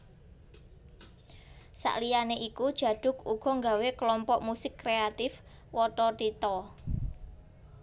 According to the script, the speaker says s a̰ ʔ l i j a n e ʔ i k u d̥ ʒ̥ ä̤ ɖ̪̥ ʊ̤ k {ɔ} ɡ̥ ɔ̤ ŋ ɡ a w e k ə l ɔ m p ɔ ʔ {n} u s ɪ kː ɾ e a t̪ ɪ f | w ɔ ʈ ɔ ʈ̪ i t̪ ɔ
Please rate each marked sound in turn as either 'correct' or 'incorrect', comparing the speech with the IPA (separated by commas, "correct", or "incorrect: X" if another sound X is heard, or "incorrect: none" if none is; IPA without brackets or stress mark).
incorrect: u, incorrect: m